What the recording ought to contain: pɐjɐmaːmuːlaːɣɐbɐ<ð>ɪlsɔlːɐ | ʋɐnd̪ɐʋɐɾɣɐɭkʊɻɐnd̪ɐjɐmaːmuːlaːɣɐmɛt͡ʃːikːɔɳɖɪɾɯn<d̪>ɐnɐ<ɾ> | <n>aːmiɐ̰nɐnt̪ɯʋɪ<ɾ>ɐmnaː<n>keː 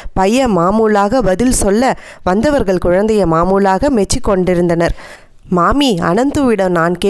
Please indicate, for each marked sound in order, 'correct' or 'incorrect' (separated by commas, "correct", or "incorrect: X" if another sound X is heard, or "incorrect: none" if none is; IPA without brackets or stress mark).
correct, correct, correct, incorrect: m, incorrect: ɽ, correct